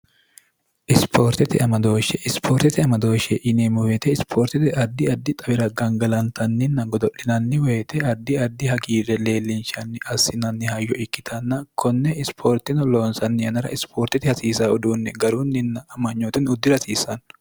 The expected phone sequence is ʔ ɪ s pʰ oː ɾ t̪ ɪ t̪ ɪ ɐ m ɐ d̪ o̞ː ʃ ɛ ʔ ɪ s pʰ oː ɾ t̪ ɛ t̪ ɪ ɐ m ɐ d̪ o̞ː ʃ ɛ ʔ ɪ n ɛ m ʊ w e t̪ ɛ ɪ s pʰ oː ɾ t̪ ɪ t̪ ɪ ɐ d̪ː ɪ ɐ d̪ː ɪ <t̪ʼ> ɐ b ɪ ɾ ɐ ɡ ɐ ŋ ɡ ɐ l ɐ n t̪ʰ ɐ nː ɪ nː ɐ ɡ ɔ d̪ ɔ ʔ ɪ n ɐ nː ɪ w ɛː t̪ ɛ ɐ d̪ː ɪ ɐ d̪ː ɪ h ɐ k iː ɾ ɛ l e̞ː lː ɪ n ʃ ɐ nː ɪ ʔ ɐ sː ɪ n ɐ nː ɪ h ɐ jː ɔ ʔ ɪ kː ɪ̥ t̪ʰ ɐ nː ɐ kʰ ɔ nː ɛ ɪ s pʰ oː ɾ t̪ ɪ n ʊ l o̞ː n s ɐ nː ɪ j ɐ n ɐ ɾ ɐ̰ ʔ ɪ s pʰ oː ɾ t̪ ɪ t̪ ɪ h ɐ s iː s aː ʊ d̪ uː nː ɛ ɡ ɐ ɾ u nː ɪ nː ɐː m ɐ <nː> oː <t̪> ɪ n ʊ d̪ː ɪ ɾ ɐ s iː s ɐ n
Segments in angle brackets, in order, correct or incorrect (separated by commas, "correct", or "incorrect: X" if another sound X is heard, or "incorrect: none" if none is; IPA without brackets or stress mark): correct, incorrect: ɲː, correct